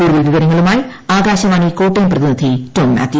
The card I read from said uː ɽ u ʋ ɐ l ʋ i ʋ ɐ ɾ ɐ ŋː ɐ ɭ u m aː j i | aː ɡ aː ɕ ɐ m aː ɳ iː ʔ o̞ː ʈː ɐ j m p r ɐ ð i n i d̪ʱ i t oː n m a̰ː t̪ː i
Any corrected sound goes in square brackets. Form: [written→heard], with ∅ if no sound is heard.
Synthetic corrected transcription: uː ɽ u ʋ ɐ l ʋ i ʋ ɐ ɾ ɐ ŋː ɐ ɭ u m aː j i | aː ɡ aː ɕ ɐ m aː ɳ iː [ʔ→k] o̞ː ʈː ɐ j m p r ɐ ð i n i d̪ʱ i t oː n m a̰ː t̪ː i

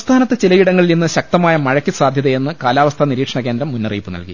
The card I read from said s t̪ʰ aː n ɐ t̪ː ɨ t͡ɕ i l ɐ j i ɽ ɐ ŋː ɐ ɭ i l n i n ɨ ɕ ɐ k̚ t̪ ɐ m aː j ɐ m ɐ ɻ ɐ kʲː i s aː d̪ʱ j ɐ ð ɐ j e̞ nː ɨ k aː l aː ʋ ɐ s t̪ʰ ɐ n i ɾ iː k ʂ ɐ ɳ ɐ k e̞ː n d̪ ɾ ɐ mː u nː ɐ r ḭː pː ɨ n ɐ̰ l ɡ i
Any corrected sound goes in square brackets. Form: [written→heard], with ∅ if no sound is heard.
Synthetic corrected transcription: s t̪ʰ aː n ɐ t̪ː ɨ t͡ɕ i l ɐ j i ɽ ɐ ŋː ɐ ɭ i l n i [n→nː] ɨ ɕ ɐ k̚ t̪ ɐ m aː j ɐ m ɐ ɻ ɐ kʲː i s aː d̪ʱ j ɐ ð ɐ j e̞ nː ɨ k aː l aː ʋ ɐ s t̪ʰ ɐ n i ɾ iː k ʂ ɐ ɳ ɐ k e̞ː n d̪ ɾ ɐ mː u nː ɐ r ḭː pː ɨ n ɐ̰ l [ɡ→k] i

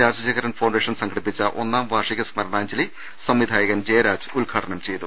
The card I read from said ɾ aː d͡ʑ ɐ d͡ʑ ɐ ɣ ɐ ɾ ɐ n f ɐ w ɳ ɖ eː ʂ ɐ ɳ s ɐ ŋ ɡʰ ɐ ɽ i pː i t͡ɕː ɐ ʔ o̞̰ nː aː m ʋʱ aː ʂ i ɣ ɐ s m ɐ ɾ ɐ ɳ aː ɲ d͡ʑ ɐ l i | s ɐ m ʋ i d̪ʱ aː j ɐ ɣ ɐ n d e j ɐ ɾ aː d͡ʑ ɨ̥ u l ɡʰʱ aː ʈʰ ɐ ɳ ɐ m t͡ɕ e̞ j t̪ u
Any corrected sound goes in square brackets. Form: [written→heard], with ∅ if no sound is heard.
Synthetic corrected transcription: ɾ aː d͡ʑ ɐ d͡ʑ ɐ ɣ ɐ ɾ ɐ n f ɐ w ɳ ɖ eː ʂ ɐ [ɳ→n] s ɐ ŋ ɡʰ ɐ ɽ i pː i t͡ɕː ɐ ʔ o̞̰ nː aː m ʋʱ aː ʂ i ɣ ɐ s m ɐ ɾ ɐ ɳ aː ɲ d͡ʑ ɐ l i | s ɐ m ʋ i d̪ʱ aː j ɐ ɣ ɐ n [d→d͡ʑ] e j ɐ ɾ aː d͡ʑ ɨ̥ u l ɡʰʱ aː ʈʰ ɐ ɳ ɐ m t͡ɕ e̞ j t̪ u

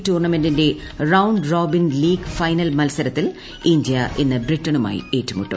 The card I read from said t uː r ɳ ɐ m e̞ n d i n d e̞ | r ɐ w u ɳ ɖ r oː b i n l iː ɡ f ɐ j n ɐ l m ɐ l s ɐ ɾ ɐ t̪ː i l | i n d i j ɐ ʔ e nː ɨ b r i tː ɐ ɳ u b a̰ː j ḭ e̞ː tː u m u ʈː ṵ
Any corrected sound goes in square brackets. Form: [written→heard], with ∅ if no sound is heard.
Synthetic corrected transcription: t uː r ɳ ɐ m e̞ n d i n d e̞ | r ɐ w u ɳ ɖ r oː b i n l iː ɡ f ɐ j n ɐ l m ɐ l s ɐ ɾ ɐ t̪ː i l | i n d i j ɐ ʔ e nː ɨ b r i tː ɐ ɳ u [b→m] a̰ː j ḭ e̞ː tː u m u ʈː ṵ

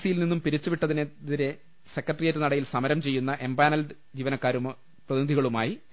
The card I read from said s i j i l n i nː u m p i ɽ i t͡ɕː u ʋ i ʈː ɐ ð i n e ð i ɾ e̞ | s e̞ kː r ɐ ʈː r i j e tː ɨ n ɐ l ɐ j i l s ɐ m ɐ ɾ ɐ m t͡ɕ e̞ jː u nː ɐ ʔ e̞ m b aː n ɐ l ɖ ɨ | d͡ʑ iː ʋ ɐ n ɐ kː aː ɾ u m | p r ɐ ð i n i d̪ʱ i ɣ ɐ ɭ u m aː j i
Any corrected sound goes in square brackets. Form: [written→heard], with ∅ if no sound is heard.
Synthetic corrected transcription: s i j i l n i nː u m p i [ɽ→ɾ] i t͡ɕː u ʋ i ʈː ɐ ð i n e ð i ɾ e̞ | s e̞ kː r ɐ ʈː r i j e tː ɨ n ɐ [l→ɽ] ɐ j i l s ɐ m ɐ ɾ ɐ m t͡ɕ e̞ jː u nː ɐ ʔ e̞ m b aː n ɐ l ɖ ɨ | d͡ʑ iː ʋ ɐ n ɐ kː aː ɾ u m | p r ɐ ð i n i d̪ʱ i ɣ ɐ ɭ u m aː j i

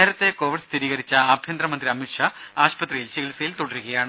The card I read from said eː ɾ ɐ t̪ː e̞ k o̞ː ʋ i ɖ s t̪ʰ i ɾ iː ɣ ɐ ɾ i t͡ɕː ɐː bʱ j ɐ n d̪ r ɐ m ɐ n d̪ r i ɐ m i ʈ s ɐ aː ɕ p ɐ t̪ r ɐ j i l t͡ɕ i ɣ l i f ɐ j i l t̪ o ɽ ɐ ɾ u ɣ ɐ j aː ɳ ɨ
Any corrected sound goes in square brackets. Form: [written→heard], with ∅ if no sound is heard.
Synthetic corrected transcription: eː ɾ ɐ t̪ː e̞ k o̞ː ʋ i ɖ s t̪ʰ i ɾ iː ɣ ɐ ɾ i t͡ɕː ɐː bʱ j ɐ n d̪ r ɐ m ɐ n d̪ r i ɐ m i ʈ [s→ʂ] ɐ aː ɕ p ɐ t̪ r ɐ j i l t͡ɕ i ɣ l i [f→s] ɐ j i l t̪ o ɽ ɐ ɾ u ɣ ɐ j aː ɳ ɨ

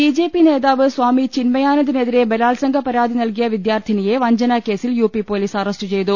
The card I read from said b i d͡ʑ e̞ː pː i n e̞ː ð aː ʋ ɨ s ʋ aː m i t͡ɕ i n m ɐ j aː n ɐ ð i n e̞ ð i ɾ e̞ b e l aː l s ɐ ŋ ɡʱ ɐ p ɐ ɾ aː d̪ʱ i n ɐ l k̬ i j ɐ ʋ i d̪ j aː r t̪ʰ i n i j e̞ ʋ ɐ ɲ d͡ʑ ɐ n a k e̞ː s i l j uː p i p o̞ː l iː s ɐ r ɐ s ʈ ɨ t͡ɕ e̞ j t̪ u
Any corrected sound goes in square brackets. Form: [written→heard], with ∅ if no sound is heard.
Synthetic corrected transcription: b i d͡ʑ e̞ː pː i n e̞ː ð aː ʋ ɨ s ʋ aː m i t͡ɕ i n m ɐ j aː n ɐ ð i n e̞ ð i ɾ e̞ b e l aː l s ɐ ŋ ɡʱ ɐ p ɐ ɾ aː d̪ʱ i n ɐ l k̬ i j ɐ ʋ i d̪ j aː r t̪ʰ i n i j e̞ ʋ ɐ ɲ d͡ʑ ɐ n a k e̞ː s i l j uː p i p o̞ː l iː s ɐ r ɐ s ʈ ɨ t͡ɕ e̞ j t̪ u

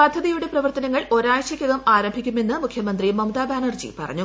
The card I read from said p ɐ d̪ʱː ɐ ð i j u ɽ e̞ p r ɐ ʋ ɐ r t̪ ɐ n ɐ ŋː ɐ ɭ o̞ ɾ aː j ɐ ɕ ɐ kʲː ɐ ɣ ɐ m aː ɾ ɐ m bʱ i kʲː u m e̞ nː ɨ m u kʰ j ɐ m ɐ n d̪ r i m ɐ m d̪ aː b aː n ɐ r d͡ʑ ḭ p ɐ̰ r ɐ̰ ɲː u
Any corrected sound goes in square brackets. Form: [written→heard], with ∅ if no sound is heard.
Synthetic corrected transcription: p ɐ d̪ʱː ɐ ð i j u ɽ e̞ p r ɐ ʋ ɐ r t̪ ɐ n ɐ ŋː ɐ ɭ o̞ ɾ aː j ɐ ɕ ɐ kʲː ɐ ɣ ɐ m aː ɾ ɐ m bʱ i kʲː u m e̞ nː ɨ m u kʰ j ɐ m ɐ n d̪ r i m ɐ m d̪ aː b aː n ɐ r d͡ʑ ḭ p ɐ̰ r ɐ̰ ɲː u

